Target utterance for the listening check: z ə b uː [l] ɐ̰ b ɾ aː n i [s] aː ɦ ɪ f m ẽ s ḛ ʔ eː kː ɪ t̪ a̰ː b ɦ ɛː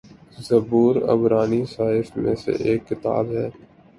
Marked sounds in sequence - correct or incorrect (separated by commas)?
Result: incorrect, correct